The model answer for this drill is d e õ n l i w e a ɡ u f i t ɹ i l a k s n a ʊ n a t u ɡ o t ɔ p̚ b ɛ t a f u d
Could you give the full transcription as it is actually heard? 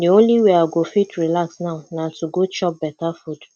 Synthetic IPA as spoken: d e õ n l i w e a ɡ o f i t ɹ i l a k s n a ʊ n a t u ɡ o t͡ʃ ɔ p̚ b ɛ t a f u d